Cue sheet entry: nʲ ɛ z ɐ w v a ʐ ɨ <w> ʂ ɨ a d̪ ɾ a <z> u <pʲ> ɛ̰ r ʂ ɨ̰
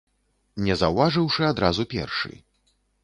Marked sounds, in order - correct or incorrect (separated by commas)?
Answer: correct, correct, correct